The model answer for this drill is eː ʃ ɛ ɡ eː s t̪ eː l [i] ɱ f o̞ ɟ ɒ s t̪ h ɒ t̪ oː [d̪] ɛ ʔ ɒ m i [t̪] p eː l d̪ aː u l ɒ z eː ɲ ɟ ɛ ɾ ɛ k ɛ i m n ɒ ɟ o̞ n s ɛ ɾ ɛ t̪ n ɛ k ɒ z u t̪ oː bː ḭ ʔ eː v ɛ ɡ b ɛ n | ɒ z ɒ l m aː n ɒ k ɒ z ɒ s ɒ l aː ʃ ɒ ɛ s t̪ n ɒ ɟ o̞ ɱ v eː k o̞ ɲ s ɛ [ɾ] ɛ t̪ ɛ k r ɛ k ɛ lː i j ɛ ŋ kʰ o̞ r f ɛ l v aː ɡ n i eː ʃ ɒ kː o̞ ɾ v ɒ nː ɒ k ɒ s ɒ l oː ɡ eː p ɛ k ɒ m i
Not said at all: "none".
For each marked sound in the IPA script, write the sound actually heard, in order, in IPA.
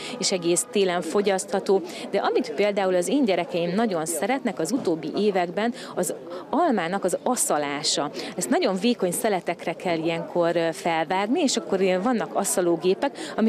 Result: ɛ, d̪, t̪, l

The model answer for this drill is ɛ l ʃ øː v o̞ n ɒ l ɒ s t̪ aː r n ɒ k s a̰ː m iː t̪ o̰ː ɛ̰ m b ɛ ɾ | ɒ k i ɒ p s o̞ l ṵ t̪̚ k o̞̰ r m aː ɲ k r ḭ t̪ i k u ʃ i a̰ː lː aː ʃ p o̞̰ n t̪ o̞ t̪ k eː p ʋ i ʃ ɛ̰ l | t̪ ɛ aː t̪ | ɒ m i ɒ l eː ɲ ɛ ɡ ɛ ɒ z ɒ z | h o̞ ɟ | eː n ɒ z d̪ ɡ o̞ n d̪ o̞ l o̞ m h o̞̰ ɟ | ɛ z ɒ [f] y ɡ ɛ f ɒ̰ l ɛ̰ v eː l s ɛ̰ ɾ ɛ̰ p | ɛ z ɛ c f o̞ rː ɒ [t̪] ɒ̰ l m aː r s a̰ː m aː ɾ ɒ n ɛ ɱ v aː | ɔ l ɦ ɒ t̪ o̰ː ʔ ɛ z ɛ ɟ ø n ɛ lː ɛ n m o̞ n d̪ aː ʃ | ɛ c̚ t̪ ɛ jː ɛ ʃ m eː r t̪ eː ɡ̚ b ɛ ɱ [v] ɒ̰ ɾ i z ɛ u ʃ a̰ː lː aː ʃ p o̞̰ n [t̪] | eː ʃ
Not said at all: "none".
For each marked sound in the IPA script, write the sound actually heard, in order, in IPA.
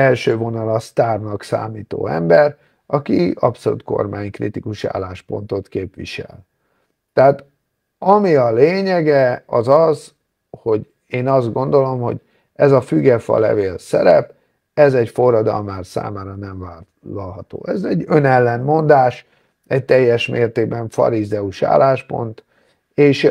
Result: f, d̪, f, t̪

